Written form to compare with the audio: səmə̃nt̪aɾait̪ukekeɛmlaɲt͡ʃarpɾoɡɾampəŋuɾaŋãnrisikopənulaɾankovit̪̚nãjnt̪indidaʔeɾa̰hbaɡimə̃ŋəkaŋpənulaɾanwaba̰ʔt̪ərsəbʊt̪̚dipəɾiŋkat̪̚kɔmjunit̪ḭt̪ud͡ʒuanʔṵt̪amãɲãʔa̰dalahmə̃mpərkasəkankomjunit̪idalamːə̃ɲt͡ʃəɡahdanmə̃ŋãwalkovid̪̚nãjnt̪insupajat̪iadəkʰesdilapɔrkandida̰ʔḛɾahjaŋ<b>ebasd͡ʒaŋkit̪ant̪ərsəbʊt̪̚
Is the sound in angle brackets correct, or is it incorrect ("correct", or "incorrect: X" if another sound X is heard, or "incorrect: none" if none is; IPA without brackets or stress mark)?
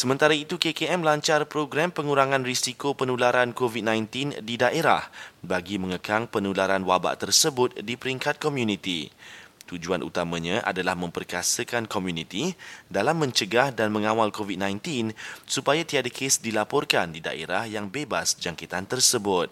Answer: correct